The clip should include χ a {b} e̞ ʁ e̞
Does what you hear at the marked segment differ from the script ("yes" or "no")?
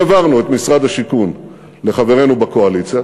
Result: yes